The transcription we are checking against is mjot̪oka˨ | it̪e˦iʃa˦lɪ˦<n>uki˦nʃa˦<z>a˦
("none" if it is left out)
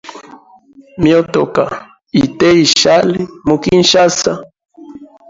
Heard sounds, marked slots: m, s

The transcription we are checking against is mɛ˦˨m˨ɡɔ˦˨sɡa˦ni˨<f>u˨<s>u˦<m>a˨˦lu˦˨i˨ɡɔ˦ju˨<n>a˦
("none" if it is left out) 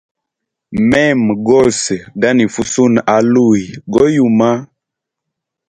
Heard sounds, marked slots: f, s, n, m

